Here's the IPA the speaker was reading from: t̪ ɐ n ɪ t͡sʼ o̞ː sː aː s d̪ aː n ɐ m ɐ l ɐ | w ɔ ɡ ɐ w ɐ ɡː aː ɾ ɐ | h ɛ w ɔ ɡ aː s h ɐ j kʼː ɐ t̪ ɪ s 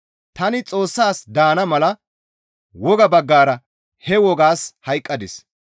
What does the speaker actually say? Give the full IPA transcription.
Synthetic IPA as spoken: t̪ ɐ n ɪ t͡sʼ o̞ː sː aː s d̪ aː n ɐ m ɐ l ɐ | w ɔ ɡ ɐ b ɐ ɡː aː ɾ ɐ | h ɛ w ɔ ɡ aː s h ɐ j kʼː ɐ d̪ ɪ s